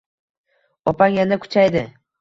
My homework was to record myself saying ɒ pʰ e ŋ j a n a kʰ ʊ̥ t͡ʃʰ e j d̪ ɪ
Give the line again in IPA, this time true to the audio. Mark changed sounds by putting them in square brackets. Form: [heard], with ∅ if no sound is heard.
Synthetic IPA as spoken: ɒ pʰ [a] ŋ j a n a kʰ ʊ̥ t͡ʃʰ [a] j d̪ ɪ